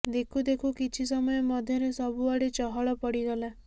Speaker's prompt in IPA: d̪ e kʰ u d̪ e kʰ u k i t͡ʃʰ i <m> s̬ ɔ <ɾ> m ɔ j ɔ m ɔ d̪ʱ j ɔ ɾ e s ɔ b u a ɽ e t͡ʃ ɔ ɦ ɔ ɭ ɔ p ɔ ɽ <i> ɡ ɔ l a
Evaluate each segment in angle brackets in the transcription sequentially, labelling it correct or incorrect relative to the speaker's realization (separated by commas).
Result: incorrect, incorrect, correct